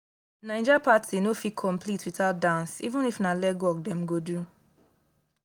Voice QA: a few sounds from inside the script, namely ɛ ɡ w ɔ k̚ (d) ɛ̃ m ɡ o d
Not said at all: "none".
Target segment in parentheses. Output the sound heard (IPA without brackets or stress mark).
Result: d